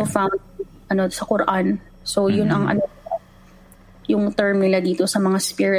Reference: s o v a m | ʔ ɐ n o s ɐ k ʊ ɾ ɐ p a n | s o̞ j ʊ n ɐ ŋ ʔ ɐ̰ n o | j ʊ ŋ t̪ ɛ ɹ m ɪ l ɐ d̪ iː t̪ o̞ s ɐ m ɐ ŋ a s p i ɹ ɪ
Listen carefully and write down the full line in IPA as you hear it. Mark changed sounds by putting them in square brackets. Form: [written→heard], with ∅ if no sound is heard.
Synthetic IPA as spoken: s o [v→f] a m | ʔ ɐ n o s ɐ k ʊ ɾ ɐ [p→ʔ] a n | s o̞ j ʊ n ɐ ŋ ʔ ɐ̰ n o | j ʊ ŋ t̪ ɛ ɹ m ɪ l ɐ d̪ iː t̪ o̞ s ɐ m ɐ ŋ a s p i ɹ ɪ